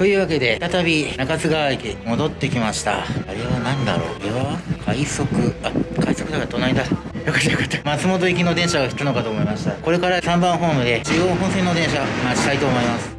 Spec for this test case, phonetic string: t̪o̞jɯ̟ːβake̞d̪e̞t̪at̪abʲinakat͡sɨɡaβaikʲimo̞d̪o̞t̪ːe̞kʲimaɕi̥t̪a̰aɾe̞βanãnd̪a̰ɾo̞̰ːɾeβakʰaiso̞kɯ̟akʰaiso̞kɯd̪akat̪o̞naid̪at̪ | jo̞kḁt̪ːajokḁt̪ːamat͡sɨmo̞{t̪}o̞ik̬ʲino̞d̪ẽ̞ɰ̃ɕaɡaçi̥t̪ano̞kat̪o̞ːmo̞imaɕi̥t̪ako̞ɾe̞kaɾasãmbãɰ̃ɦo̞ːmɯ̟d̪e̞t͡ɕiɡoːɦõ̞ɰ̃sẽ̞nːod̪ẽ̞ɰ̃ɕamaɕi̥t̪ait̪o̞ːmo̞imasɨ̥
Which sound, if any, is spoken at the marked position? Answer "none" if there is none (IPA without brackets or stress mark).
t̪